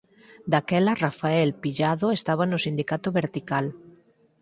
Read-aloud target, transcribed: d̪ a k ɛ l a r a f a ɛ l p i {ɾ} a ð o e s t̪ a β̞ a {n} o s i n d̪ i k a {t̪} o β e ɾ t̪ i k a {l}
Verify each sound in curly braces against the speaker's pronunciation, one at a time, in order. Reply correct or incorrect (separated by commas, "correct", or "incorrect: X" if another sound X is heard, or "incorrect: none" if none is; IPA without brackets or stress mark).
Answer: incorrect: ʎ, correct, correct, correct